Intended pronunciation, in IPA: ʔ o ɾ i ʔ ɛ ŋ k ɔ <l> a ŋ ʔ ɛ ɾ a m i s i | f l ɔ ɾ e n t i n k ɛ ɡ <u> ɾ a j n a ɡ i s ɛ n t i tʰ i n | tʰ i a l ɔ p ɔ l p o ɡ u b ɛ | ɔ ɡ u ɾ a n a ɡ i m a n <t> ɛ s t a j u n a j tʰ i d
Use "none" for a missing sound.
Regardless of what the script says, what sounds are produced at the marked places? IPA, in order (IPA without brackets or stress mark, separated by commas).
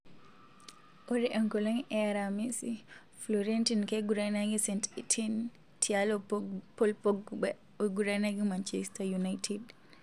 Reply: l, u, t͡ʃ